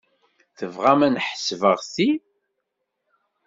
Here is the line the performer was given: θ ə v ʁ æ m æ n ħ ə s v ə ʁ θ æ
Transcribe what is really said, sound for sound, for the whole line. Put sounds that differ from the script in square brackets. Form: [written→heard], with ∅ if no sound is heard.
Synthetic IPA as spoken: θ ə v ʁ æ m æ n ħ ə s v ə ʁ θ [æ→i]